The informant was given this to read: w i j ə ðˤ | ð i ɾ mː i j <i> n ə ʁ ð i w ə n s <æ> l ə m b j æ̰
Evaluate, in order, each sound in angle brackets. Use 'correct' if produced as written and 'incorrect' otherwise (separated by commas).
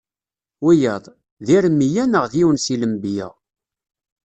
incorrect, incorrect